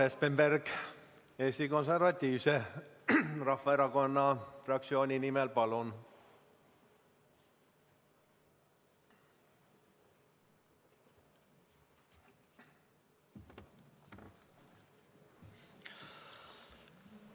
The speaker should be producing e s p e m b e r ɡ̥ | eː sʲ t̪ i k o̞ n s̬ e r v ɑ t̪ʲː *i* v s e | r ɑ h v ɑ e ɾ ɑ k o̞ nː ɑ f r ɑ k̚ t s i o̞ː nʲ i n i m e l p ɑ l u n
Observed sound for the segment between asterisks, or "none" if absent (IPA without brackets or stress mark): iː